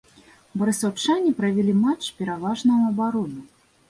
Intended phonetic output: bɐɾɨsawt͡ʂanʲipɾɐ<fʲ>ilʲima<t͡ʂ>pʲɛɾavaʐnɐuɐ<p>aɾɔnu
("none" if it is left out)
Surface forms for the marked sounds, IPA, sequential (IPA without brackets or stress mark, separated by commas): vʲ, t͡ʂ, b